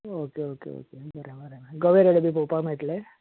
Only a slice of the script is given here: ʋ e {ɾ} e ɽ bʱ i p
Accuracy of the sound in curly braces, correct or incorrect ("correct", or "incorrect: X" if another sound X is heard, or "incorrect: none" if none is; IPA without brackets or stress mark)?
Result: correct